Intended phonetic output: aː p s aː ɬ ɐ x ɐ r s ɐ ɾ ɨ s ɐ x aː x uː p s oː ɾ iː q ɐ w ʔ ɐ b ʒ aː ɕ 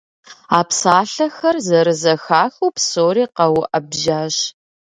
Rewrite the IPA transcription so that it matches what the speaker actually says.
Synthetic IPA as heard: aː p s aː ɬ ɐ x ɐ r z ɐ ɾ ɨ z ɐ x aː x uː p s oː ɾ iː q ɐ w ʔ ɐ b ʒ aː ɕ